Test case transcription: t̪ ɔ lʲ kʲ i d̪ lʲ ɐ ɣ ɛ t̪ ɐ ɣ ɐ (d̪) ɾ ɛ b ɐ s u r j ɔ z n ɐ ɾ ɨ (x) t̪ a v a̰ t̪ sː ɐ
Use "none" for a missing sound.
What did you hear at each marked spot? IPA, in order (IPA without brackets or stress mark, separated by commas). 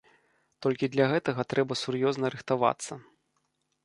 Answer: t̪, x